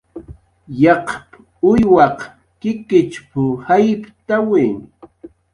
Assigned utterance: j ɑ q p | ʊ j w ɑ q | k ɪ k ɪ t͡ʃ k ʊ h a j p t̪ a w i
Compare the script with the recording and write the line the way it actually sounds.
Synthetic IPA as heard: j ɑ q p | ʊ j w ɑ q | k ɪ k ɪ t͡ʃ p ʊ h a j p t̪ a w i